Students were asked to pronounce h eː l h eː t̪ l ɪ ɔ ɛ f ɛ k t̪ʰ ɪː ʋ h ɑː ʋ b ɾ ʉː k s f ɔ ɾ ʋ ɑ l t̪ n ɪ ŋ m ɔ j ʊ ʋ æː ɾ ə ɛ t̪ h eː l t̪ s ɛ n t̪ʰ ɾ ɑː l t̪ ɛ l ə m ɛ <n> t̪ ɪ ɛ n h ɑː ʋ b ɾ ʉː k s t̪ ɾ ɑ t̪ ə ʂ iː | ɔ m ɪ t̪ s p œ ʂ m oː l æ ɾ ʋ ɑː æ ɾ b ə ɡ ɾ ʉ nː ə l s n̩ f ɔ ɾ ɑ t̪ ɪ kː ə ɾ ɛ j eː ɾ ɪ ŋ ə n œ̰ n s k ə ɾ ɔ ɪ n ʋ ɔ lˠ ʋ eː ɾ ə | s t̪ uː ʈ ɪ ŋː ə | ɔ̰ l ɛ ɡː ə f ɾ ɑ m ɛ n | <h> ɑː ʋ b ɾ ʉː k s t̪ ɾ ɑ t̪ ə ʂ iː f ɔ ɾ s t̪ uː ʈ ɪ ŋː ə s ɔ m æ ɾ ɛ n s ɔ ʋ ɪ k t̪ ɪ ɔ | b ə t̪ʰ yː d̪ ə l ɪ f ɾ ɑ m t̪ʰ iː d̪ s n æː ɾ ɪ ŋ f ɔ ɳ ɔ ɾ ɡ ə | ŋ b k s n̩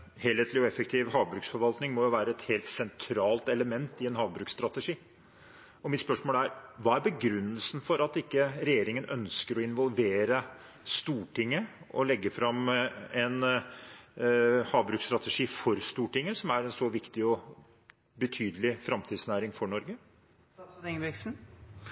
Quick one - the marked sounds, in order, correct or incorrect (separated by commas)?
correct, correct